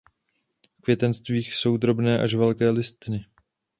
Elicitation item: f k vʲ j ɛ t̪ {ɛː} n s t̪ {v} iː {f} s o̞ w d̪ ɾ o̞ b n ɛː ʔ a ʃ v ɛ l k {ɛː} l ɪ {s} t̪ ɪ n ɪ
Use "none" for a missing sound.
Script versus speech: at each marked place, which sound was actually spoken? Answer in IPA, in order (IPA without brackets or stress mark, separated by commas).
ɛ, v, x, ɛː, s